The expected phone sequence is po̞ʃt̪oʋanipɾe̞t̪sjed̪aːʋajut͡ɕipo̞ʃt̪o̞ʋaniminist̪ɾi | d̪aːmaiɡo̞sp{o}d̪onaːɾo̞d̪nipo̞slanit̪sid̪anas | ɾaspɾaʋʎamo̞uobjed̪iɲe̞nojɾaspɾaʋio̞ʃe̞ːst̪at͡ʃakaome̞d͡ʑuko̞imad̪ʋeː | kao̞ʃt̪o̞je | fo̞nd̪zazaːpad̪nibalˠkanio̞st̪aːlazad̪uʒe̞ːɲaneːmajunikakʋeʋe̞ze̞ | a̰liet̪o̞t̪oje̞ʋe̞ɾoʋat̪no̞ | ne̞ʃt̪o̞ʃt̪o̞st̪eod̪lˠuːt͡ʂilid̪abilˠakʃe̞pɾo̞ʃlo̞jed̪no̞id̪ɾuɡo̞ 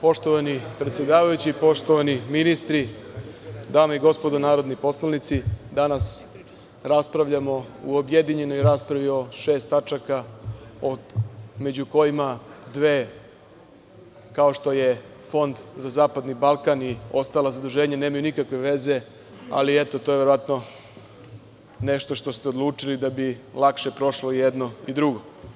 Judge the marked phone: correct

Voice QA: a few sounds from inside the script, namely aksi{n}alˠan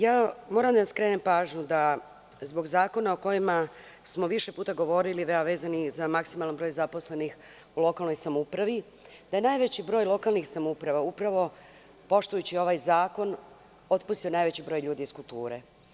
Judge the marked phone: incorrect: m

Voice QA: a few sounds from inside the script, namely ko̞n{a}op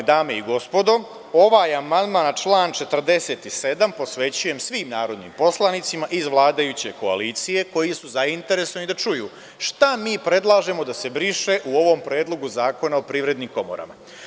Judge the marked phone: correct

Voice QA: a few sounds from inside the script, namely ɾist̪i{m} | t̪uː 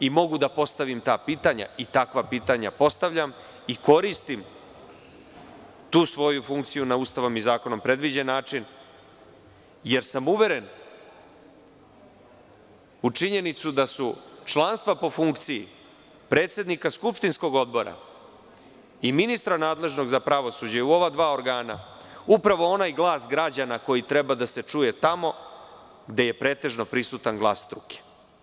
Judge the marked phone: correct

